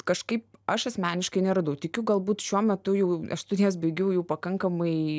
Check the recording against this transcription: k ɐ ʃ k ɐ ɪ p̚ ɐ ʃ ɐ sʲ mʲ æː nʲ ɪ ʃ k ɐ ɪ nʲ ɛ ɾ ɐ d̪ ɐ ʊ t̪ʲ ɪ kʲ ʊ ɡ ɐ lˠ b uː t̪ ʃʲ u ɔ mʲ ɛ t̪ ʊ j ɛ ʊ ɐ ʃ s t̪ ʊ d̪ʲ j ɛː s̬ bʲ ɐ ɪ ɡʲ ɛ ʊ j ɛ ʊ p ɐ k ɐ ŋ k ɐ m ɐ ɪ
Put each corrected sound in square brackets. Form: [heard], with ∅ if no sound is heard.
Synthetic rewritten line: k ɐ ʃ k ɐ ɪ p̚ ɐ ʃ ɐ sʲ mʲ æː nʲ ɪ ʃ k ɐ ɪ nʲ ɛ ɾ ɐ d̪ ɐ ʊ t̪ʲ ɪ kʲ ʊ ɡ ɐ lˠ b uː t̪ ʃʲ u ɔ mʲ ɛ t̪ ʊ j ɛ ʊ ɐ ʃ s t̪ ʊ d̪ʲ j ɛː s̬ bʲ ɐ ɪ ɡʲ ɛ ʊ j ɛ ʊ p ɐ k ɐ ŋ k ɐ m ɐ ɪ